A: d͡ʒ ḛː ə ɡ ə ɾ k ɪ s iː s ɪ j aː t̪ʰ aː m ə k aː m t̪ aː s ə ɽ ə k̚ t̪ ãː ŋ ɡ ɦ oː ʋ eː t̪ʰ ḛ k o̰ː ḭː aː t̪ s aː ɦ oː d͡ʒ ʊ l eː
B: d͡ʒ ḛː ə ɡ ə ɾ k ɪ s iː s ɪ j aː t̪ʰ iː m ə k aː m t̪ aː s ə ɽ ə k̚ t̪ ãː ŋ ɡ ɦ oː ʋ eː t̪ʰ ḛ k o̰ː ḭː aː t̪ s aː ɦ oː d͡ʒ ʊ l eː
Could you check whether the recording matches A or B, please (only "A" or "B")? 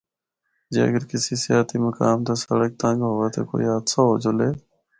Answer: B